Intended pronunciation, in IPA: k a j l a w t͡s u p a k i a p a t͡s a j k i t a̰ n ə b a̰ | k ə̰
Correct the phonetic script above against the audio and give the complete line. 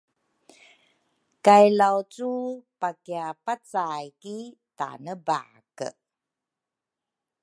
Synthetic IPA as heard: k a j l a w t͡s u p a k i a p a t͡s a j k i t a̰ n ə b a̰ | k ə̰